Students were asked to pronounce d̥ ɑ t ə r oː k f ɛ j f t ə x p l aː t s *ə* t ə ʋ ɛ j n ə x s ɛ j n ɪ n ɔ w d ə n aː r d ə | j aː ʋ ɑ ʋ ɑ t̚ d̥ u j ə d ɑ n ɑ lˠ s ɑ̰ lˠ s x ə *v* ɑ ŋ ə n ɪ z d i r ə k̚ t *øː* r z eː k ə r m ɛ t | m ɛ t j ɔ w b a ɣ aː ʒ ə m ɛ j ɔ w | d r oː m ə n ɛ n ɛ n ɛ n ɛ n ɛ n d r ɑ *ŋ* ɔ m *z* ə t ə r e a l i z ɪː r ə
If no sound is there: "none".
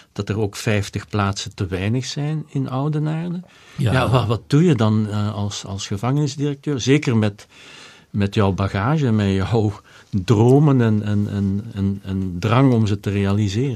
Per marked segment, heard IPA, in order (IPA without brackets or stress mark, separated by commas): ə, v, øː, ŋ, z